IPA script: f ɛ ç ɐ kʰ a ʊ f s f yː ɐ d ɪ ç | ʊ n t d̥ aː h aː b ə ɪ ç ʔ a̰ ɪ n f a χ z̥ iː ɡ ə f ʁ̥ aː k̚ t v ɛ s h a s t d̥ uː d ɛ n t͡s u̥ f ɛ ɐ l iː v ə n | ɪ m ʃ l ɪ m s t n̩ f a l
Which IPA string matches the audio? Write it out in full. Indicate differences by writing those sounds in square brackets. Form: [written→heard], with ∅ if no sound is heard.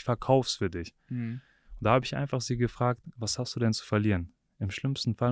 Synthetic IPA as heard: f ɛ [ç→∅] ɐ kʰ a ʊ f s f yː ɐ d ɪ ç | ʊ n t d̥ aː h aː b ə ɪ ç ʔ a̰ ɪ n f a χ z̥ iː ɡ ə f ʁ̥ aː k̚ t v [ɛ→a] s h a s t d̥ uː d ɛ n t͡s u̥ f ɛ ɐ l iː [v→ʁ] ə n | ɪ m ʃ l ɪ m s t n̩ f a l